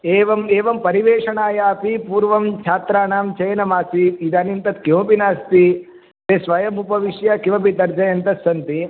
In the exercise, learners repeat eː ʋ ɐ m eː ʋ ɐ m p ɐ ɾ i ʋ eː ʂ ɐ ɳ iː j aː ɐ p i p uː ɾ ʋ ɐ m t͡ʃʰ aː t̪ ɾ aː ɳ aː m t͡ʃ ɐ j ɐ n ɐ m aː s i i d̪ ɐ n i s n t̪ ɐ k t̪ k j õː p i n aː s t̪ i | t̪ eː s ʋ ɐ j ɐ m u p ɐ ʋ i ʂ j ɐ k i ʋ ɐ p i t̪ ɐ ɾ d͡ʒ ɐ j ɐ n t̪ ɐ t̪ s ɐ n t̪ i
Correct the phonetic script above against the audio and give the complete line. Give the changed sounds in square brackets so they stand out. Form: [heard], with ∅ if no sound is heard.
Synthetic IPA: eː ʋ ɐ m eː ʋ ɐ m p ɐ ɾ i ʋ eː ʂ ɐ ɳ [aː] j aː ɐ p i p uː ɾ ʋ ɐ m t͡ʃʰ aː t̪ ɾ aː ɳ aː m t͡ʃ ɐ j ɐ n ɐ m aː s i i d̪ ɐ n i [∅] n t̪ ɐ [∅] t̪ k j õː p i n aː s t̪ i | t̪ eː s ʋ ɐ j ɐ m u p ɐ ʋ i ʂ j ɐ k i ʋ ɐ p i t̪ ɐ ɾ d͡ʒ ɐ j ɐ n t̪ ɐ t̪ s ɐ n t̪ i

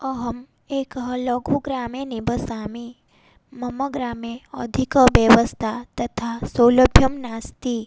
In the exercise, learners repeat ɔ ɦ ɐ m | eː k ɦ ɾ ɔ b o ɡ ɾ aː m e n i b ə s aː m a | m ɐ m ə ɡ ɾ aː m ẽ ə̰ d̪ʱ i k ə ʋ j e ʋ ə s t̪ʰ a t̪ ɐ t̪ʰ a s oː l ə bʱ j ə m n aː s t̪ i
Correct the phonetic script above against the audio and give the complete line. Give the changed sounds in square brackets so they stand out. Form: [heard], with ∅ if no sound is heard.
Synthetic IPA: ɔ ɦ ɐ m | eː k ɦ [l] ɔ [ɡ] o ɡ ɾ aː m e n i b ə s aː m [i] | m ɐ m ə ɡ ɾ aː m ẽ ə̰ d̪ʱ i k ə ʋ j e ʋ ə s t̪ʰ a t̪ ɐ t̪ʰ a s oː l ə bʱ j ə m n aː s t̪ i

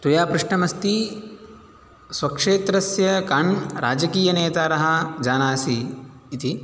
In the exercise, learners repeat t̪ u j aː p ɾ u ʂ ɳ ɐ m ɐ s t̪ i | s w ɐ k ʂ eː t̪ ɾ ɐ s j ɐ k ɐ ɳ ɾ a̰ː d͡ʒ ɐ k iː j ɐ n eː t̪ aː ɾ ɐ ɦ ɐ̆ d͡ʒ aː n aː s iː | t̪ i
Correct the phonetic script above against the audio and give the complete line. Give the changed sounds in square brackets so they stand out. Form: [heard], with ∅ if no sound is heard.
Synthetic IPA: t̪ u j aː p ɾ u ʂ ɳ ɐ m ɐ s t̪ i | s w ɐ k ʂ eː t̪ ɾ ɐ s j ɐ k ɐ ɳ ɾ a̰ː d͡ʒ ɐ k iː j ɐ n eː t̪ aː ɾ ɐ ɦ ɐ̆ d͡ʒ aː n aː s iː | t̪ i

